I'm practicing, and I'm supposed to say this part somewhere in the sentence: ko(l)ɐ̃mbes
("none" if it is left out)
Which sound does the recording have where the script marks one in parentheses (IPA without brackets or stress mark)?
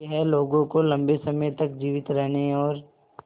l